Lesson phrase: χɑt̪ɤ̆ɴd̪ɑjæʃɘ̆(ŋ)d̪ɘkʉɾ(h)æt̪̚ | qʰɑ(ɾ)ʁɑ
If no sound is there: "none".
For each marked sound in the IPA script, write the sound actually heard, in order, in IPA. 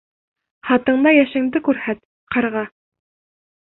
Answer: ŋ, h, ɾ

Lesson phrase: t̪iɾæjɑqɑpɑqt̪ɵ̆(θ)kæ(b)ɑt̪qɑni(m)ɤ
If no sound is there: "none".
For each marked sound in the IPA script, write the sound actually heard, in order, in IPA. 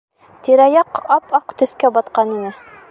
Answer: θ, b, n

